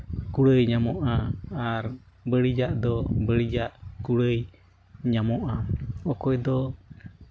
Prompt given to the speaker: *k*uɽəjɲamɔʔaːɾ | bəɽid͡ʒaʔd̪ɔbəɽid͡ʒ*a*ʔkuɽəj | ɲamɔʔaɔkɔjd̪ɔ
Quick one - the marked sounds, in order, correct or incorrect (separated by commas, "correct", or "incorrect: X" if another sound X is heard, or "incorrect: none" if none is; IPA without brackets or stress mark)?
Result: correct, correct